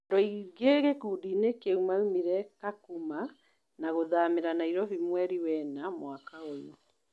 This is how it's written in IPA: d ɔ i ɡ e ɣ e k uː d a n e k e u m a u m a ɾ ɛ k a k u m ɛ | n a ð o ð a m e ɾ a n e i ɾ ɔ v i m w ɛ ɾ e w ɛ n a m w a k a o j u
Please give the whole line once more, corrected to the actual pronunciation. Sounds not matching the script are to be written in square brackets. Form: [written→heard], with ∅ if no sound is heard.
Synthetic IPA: d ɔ i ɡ e ɣ e k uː d [a→i] n e k e u m a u m [a→i] ɾ ɛ k a k u m [ɛ→a] | n a [ð→ɣ] o ð a m e ɾ a n [e→a] i ɾ ɔ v i m w ɛ ɾ [e→i] w ɛ n a m w a k a o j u

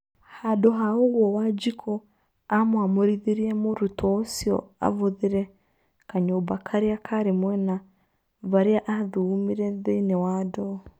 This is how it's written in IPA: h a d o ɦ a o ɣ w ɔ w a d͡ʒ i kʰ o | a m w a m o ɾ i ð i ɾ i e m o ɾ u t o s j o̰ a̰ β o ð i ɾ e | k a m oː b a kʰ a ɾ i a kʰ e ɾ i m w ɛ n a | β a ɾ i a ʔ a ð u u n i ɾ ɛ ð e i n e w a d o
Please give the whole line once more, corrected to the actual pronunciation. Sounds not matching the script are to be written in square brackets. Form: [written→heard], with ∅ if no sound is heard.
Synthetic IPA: h a d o ɦ a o ɣ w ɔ w a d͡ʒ i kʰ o | a m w a m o ɾ i ð i ɾ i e m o ɾ u t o s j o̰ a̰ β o ð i ɾ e | k a [m→ɲ] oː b a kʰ a ɾ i a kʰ [e→a] ɾ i m w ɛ n a | β a ɾ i a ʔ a ð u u [n→m] i ɾ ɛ ð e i n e w a d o

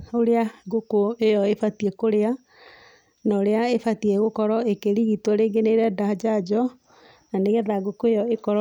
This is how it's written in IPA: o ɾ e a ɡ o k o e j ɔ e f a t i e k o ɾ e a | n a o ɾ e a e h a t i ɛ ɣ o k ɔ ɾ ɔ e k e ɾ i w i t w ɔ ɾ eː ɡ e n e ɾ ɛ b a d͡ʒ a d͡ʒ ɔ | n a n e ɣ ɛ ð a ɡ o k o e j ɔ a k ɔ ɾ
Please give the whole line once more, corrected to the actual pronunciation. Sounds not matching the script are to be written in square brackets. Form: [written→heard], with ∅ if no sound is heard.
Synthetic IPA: o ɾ e a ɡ o k o e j ɔ e f a t i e k o ɾ e a | n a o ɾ e a e [h→f] a t i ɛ ɣ o k ɔ ɾ ɔ e k e ɾ i [w→ɣ] i t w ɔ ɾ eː ɡ e n e ɾ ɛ [b→d] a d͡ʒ a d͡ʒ ɔ | n a n e ɣ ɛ ð a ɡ o k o e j ɔ [a→e] k ɔ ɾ

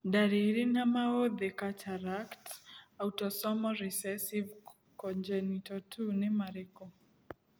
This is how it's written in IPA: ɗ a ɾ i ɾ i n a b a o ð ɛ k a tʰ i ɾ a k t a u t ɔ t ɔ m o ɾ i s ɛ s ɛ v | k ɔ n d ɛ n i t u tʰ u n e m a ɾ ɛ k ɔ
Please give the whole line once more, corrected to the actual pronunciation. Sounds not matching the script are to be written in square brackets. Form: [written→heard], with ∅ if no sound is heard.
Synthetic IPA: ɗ a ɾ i ɾ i n a [b→m] a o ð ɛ k a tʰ [i→a] ɾ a k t a u t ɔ [t→s] ɔ m [o→ɔ] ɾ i s ɛ s [ɛ→i] v | k ɔ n [d→d͡ʒ] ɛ n i t [u→ɔ] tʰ u n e m a ɾ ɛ k ɔ

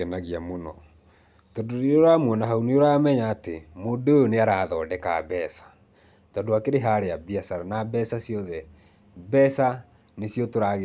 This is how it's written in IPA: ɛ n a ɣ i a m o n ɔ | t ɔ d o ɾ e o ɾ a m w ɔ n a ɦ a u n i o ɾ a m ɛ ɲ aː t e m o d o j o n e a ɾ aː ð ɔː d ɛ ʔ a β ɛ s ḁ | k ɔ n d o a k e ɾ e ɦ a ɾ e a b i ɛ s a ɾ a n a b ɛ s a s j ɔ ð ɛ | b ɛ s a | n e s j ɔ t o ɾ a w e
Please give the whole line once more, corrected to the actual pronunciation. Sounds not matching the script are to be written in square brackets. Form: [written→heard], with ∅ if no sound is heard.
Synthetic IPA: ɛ n a ɣ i a m o n ɔ | t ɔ d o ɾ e o ɾ a m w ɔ n a ɦ a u n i o ɾ a m ɛ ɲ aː t e m o d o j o n e a ɾ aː ð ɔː d ɛ [ʔ→k] a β ɛ s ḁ | [k→t] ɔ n d o a k e ɾ e ɦ a ɾ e a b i [ɛ→a] s a ɾ a n a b ɛ s a s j ɔ ð ɛ | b ɛ s a | n e s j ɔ t o ɾ a [w→ɣ] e

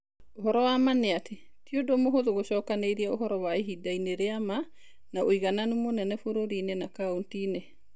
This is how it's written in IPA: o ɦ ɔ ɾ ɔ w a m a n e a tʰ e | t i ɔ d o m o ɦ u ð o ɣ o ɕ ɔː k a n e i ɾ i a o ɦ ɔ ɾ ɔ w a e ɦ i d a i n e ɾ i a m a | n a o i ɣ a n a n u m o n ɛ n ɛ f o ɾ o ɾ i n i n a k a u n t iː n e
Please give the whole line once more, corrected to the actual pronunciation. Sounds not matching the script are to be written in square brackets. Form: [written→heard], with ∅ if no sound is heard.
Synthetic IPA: o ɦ ɔ ɾ ɔ w a m a n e a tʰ e | t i [ɔ→o] d o m o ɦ [u→o] ð o ɣ o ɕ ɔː k a n e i ɾ i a o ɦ ɔ ɾ ɔ w a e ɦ i d a i n e ɾ [i→e] a m a | n a o i ɣ a n a n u m o n ɛ n ɛ f o ɾ o ɾ i n [i→e] n a k a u n t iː n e

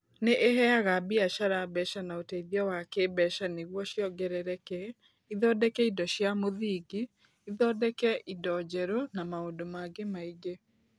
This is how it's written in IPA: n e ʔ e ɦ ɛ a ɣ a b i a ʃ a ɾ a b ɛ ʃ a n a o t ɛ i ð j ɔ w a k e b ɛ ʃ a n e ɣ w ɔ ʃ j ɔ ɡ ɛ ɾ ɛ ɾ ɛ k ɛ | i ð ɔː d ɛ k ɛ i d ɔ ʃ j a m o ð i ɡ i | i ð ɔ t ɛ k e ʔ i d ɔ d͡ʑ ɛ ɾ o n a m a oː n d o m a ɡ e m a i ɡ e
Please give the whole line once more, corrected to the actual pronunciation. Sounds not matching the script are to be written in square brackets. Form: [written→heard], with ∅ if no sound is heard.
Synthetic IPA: n e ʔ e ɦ ɛ a ɣ a b i a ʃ a ɾ a b ɛ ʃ a n a o t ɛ i ð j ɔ w a k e b ɛ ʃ a n e ɣ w ɔ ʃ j ɔ ɡ ɛ ɾ ɛ ɾ ɛ k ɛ | i ð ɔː d ɛ k ɛ i d ɔ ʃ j a m o ð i ɡ i | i ð ɔ [t→d] ɛ k [e→ɛ] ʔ i d ɔ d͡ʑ ɛ ɾ o n a m a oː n d o m a ɡ e m a i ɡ e

